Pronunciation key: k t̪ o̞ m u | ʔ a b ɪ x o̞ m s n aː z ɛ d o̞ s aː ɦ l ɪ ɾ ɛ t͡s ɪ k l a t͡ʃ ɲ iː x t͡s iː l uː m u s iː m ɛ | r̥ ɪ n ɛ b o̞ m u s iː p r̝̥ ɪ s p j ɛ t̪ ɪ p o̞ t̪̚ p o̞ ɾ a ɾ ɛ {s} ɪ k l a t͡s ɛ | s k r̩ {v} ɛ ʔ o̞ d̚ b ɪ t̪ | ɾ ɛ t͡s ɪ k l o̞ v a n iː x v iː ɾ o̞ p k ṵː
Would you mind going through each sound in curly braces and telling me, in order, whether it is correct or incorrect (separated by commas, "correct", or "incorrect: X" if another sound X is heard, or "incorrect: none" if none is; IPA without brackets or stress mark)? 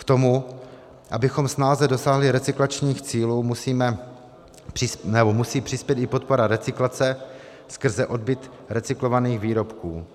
incorrect: t͡s, incorrect: z